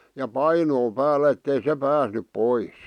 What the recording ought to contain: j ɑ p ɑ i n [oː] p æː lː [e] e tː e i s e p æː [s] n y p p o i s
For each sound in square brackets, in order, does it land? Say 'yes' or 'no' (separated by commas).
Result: yes, no, yes